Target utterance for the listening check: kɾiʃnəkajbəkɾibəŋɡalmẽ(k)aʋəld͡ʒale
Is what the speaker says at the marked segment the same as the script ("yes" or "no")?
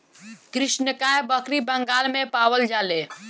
no